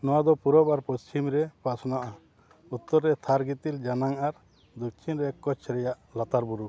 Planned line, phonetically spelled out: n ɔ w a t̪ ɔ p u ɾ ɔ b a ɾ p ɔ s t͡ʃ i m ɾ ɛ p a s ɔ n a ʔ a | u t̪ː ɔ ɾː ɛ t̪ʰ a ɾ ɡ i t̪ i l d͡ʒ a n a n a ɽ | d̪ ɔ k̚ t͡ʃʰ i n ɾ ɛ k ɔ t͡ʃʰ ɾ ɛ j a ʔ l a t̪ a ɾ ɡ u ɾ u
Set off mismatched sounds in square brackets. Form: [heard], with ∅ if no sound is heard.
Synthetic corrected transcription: n ɔ w a [d̪] ɔ p u ɾ ɔ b a ɾ p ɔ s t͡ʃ i m ɾ ɛ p a s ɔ n a ʔ a | u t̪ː ɔ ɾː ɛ t̪ʰ a ɾ ɡ i t̪ i l d͡ʒ a n a [ŋ] a [ɾ] | d̪ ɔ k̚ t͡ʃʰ i n ɾ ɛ k ɔ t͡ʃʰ ɾ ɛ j a ʔ l a t̪ a ɾ [b] u ɾ u